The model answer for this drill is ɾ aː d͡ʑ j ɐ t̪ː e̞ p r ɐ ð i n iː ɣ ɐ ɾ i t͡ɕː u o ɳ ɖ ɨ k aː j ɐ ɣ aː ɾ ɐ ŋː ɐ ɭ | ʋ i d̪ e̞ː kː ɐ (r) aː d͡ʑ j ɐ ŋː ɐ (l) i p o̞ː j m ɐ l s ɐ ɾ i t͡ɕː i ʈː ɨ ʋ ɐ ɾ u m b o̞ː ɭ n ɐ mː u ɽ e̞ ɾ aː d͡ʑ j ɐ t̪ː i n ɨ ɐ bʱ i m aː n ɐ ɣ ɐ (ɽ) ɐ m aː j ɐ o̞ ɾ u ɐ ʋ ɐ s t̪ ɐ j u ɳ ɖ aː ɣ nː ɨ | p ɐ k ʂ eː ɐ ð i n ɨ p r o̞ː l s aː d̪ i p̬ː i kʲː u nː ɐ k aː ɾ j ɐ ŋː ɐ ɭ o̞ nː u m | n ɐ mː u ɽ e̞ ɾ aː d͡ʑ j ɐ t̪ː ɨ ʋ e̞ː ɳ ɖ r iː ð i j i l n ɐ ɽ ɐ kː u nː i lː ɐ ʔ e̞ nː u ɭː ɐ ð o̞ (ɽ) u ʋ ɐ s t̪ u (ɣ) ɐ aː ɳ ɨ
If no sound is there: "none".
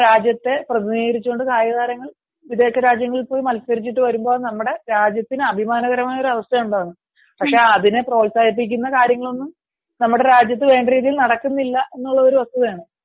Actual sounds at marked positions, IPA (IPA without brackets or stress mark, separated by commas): ɾ, ɭ, ɾ, ɾ, ð